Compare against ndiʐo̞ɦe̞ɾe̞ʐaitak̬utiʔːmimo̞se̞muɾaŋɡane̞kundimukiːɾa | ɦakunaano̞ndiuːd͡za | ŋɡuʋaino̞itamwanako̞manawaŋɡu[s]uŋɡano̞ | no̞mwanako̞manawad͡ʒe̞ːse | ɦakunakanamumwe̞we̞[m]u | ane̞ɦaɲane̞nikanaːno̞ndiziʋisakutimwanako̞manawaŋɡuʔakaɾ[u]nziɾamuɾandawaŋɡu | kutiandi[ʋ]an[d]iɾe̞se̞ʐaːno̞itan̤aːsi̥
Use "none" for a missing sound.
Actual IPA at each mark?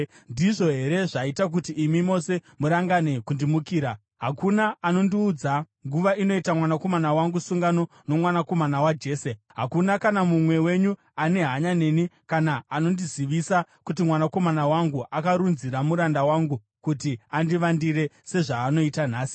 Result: s, ɲ, u, ʋ, d

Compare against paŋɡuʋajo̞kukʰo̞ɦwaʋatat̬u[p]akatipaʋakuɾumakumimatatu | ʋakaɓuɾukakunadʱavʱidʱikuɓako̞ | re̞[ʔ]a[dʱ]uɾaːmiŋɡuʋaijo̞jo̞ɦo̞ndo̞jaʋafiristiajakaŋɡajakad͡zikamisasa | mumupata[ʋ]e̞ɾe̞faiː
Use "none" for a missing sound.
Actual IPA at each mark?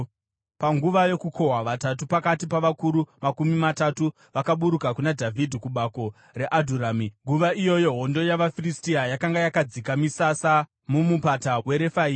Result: p, ʔ, dʱ, w

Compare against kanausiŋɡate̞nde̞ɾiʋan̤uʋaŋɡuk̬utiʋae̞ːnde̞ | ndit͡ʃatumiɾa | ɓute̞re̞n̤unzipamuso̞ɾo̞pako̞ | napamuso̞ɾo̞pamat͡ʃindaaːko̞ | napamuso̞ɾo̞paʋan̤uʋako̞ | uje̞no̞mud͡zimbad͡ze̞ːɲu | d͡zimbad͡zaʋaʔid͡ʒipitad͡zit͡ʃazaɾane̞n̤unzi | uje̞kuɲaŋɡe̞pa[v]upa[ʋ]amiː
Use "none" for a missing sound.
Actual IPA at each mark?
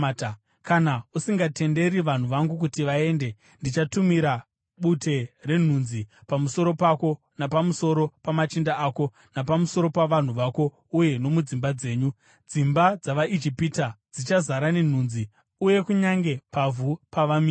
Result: v, ʋ

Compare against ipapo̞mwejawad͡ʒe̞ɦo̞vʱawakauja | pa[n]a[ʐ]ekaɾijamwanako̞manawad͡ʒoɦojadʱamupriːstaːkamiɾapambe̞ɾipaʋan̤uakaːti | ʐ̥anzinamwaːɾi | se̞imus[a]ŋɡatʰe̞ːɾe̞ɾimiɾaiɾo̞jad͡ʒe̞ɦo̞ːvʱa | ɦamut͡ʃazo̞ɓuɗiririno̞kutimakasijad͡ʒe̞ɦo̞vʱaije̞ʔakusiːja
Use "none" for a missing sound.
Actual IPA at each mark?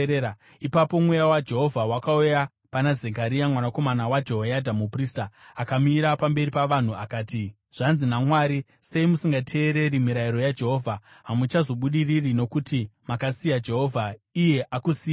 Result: n, z, i

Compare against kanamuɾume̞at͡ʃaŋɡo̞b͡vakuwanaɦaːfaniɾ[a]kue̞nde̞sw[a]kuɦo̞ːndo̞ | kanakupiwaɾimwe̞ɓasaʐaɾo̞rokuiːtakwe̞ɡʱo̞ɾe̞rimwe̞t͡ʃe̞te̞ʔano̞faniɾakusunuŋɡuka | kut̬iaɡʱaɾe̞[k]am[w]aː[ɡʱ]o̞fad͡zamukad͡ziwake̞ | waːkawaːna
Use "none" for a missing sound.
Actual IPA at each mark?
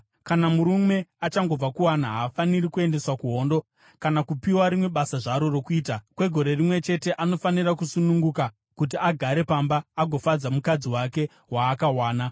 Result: i, a, p, b, ɡʱ

